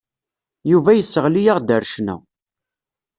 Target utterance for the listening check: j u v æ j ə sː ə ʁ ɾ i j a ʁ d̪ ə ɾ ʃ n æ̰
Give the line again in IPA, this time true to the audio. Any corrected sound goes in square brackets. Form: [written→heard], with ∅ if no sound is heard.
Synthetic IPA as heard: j u v æ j ə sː ə ʁ [ɾ→l] i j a ʁ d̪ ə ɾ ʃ n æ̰